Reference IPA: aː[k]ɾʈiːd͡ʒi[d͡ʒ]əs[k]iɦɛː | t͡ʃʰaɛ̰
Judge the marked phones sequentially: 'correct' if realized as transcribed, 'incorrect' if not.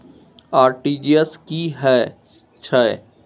incorrect, incorrect, correct

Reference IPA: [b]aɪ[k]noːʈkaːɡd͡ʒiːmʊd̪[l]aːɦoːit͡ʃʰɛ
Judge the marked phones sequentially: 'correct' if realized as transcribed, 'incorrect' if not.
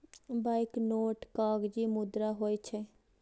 correct, correct, incorrect

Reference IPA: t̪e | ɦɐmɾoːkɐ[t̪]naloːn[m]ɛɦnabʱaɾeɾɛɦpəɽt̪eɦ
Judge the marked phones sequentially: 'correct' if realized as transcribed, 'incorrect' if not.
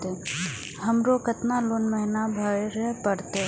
correct, correct

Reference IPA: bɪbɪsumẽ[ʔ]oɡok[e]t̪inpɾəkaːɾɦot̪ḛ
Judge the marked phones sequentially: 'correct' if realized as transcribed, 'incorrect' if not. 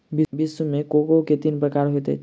incorrect, correct

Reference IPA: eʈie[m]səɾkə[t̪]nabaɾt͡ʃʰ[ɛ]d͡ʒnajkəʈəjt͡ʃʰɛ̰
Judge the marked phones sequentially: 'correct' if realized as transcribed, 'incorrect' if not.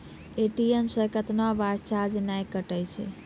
correct, correct, incorrect

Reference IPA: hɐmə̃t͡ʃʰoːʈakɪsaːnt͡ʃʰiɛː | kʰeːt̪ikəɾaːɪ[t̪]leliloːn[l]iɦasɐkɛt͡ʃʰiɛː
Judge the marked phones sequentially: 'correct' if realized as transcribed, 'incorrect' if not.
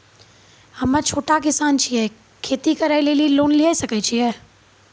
incorrect, correct

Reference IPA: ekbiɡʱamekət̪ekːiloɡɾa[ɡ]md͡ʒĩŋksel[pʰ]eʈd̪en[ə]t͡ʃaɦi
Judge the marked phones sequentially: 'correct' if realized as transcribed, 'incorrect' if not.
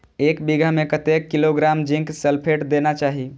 incorrect, correct, incorrect

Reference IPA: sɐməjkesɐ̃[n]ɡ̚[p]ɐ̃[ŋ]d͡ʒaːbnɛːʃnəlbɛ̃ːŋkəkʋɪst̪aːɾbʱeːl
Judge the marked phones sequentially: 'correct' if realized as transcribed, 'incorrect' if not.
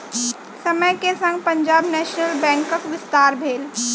incorrect, correct, incorrect

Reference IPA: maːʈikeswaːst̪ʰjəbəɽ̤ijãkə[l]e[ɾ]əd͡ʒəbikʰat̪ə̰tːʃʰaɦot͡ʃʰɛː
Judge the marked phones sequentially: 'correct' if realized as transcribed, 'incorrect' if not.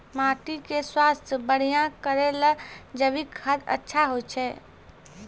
incorrect, incorrect

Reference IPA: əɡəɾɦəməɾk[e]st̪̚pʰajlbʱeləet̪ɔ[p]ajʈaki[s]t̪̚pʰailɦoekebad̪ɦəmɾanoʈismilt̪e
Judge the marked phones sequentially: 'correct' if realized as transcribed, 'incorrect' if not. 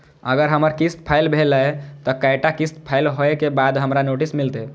incorrect, incorrect, correct

